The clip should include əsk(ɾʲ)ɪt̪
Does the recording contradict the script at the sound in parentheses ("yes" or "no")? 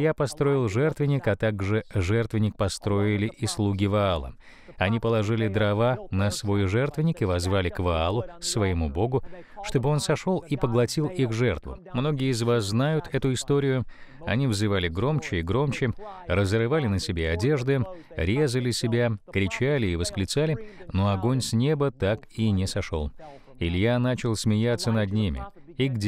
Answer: yes